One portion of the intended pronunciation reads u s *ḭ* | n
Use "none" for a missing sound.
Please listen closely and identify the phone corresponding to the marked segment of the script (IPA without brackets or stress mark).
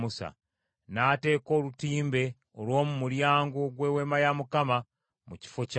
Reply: a̰